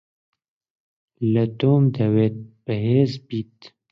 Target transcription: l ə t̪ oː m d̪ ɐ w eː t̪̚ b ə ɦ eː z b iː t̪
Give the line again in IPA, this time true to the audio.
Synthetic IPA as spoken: l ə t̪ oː m d̪ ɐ w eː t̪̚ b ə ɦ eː z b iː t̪